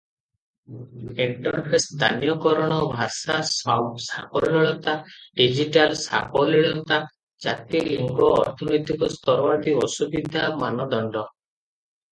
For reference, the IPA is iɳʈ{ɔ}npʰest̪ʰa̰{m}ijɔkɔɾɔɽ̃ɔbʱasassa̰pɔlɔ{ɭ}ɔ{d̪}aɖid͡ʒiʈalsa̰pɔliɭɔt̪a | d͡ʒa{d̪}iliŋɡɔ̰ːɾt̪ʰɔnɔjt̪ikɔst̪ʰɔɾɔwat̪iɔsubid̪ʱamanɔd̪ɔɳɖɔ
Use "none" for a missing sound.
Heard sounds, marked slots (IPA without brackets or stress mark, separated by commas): ɔ, n, ɭ, t̪, t̪